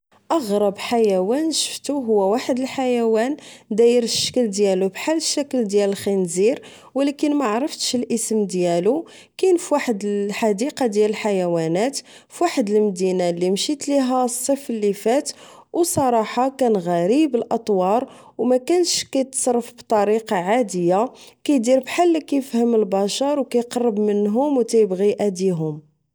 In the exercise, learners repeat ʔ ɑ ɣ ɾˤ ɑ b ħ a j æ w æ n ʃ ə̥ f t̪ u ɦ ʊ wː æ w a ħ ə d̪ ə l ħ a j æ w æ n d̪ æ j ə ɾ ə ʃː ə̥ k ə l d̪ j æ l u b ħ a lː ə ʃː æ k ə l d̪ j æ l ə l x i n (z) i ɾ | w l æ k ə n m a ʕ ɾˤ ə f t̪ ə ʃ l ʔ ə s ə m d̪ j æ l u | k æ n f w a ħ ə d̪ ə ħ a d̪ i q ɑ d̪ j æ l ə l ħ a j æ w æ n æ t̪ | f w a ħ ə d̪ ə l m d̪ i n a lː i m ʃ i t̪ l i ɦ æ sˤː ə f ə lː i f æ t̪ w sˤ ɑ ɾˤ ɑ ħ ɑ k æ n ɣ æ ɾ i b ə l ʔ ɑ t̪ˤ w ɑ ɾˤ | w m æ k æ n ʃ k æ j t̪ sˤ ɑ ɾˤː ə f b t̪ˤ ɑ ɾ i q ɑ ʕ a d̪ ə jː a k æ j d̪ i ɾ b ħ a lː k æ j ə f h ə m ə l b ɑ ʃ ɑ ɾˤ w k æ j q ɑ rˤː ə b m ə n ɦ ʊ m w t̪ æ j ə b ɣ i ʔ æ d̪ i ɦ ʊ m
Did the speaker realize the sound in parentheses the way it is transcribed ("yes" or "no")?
yes